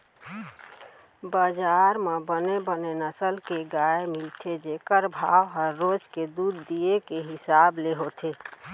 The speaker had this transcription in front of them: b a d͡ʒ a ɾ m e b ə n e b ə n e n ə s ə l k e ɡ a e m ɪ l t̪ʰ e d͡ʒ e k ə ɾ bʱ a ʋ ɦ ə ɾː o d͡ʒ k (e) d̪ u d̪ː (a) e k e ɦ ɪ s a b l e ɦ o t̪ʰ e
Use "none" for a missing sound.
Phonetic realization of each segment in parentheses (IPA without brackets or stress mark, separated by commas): e, i